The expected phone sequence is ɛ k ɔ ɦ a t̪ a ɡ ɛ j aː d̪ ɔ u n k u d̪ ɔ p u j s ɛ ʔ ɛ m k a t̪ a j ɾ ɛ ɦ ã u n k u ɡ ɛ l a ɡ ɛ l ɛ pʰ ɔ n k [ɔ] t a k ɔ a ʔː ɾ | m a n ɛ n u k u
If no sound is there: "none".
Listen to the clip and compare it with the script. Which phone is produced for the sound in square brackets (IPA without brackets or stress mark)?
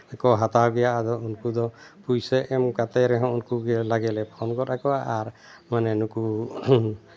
ɔ